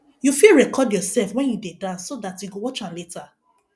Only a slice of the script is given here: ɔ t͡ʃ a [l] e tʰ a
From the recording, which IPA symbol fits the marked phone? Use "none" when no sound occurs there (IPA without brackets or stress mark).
l